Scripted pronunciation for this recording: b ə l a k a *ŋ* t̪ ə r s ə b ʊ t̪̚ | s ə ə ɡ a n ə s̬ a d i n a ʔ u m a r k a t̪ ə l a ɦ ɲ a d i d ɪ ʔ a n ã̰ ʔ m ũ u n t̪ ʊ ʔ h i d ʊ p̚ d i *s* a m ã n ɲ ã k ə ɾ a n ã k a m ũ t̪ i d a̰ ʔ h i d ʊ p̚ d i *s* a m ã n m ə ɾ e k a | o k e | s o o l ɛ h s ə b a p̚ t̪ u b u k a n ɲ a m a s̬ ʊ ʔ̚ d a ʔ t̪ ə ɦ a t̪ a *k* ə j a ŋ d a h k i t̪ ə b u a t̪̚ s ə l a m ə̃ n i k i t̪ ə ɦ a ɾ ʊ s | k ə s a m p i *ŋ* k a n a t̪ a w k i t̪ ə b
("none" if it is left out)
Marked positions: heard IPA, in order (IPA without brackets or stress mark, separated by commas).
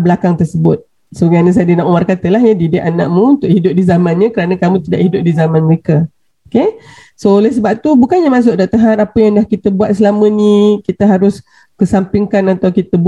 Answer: ŋ, z, z, p, ŋ